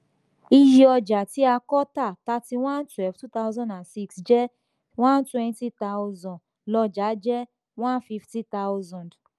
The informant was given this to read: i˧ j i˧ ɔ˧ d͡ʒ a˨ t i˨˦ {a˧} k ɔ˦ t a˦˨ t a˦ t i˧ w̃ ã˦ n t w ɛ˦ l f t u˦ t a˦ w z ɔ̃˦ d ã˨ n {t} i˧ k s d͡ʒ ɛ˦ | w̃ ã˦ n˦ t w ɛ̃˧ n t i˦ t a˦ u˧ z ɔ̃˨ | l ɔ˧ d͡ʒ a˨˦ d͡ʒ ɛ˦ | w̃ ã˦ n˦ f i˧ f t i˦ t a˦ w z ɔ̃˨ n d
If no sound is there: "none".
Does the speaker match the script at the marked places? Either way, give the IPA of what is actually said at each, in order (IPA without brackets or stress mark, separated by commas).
a˧, s